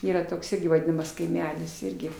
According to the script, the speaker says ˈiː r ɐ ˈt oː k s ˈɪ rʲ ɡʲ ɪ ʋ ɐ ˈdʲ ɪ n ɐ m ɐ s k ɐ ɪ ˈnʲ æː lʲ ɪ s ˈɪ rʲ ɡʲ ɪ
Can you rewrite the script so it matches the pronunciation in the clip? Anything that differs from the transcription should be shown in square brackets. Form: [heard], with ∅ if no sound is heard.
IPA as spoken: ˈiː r ɐ ˈt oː k s ˈɪ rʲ ɡʲ ɪ ʋ ɐ ˈdʲ ɪ n ɐ m ɐ s k ɐ ɪ [ˈmʲ] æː lʲ ɪ s ˈɪ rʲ ɡʲ ɪ

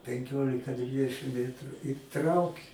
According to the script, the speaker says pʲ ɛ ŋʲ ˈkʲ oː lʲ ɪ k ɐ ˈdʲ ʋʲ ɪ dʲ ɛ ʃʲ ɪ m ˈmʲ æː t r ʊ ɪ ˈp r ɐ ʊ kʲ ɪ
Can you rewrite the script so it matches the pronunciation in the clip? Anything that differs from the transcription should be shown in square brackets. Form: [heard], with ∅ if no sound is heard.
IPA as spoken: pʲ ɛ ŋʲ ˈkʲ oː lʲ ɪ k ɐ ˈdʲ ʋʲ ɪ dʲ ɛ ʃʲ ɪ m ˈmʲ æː t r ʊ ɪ [ˈt] r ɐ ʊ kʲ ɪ

